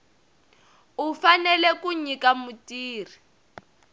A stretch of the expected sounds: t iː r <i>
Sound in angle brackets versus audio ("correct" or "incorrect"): correct